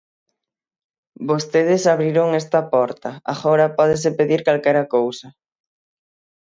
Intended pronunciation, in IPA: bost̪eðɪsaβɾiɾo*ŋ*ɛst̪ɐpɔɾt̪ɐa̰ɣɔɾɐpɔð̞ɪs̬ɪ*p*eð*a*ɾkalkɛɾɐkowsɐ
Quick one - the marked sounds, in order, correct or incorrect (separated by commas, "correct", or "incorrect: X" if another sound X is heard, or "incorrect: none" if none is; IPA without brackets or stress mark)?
correct, correct, incorrect: i